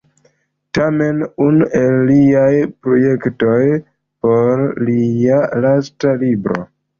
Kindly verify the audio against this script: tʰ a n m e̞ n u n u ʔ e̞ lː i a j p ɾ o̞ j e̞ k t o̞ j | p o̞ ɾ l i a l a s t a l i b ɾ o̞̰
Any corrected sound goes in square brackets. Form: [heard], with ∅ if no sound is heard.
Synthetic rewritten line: [t] a [∅] m e̞ n u n u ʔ e̞ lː i a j p ɾ o̞ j e̞ k t o̞ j | p o̞ ɾ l i a l a s t a l i b ɾ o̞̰